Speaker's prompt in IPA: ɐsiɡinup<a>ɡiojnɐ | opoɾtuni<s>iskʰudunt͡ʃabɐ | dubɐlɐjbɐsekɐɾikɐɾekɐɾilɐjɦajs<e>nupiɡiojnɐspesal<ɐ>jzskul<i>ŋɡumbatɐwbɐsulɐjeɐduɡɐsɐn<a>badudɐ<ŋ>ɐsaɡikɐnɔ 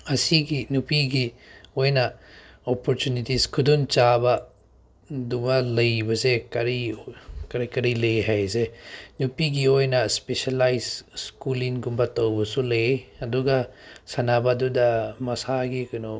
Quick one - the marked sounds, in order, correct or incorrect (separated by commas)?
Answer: incorrect, incorrect, correct, incorrect, correct, correct, incorrect